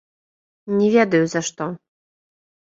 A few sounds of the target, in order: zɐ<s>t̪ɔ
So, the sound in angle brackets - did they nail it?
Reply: no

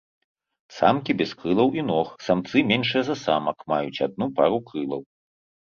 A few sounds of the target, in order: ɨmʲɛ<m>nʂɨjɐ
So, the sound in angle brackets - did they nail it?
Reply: no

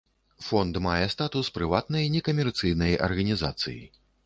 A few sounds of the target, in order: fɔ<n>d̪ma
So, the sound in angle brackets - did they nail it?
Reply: yes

